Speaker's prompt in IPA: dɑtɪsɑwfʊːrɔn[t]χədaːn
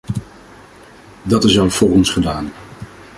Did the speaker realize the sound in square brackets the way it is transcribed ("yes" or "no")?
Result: no